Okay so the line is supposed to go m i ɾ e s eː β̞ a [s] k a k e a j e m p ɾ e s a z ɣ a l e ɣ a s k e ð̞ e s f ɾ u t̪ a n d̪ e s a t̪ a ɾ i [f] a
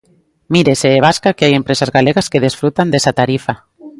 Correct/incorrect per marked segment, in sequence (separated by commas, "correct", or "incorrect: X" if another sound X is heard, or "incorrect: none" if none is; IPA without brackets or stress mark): correct, correct